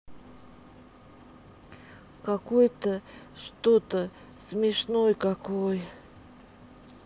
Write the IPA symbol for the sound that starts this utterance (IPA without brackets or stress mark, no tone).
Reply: k